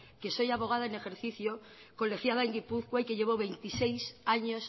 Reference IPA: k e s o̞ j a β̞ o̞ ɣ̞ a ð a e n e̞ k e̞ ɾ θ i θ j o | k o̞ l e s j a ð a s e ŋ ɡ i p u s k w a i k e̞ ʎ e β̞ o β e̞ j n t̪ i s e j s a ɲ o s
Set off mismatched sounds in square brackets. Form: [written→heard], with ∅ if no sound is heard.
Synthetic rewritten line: k e s o̞ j a β̞ o̞ ɣ̞ a ð a e n e̞ [k→x] e̞ ɾ θ i θ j o | k o̞ l e [s→x] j a ð a [s→∅] e ŋ ɡ i p u [s→θ] k w a i k e̞ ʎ e β̞ o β e̞ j n t̪ i s e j s a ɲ o s